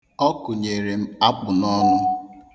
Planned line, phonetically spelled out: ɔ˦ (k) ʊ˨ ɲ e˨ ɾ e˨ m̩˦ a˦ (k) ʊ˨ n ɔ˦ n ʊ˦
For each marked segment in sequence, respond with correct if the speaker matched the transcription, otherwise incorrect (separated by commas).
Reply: correct, incorrect